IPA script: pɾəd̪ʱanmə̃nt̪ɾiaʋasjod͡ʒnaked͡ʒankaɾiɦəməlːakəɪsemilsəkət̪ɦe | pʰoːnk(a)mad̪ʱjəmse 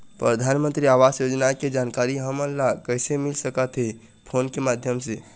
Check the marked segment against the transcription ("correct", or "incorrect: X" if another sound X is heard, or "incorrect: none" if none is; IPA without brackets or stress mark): incorrect: e